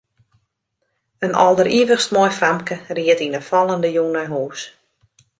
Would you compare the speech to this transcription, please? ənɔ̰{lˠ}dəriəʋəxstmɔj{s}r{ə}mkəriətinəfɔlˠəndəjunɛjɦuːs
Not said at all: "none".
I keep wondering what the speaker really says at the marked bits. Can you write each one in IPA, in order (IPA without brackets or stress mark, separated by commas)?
lˠ, f, a